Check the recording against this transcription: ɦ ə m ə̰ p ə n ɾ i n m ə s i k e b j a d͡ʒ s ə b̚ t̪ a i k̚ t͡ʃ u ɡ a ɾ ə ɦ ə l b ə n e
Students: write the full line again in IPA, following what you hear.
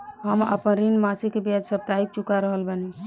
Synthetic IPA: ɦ ə m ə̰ p ə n ɾ i n m a s i k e b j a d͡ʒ s ə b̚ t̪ a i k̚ t͡ʃ u k a ɾ ə ɦ ə l b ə n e

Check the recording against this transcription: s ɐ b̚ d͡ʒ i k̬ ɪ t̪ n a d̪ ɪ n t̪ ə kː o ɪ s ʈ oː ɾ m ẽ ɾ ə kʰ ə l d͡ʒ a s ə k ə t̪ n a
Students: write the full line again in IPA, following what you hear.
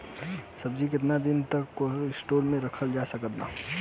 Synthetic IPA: s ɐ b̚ d͡ʒ i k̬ ɪ t̪ n a d̪ ɪ n t̪ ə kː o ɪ s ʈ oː ɾ m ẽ ɾ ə kʰ ə l d͡ʒ a s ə k ə t̪ n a

